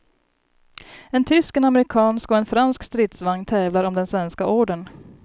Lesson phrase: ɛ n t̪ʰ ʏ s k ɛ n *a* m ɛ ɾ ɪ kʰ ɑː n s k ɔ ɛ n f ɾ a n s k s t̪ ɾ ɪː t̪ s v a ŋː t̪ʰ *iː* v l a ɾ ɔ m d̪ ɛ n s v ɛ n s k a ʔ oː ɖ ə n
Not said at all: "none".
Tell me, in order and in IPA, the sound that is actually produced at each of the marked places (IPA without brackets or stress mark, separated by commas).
a, ɛː